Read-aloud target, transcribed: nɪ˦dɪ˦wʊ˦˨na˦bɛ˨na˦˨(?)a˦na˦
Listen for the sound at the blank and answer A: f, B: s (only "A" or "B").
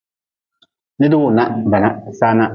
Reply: B